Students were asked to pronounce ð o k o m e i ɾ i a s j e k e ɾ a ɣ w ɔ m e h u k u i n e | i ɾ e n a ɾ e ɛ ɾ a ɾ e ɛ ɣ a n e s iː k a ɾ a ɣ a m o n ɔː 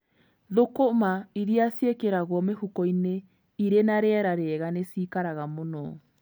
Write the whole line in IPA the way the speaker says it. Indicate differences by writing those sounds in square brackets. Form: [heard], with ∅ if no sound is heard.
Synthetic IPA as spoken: ð o k o m [a] i ɾ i a s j e k e ɾ a ɣ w ɔ m e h u k [ɔ] i n e | i ɾ e n a ɾ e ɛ ɾ a ɾ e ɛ ɣ a n e s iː k a ɾ a ɣ a m o n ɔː